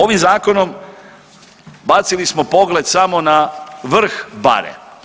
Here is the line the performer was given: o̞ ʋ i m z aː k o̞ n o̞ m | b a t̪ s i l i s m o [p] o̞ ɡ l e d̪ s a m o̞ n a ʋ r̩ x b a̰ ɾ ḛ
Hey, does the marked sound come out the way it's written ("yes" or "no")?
yes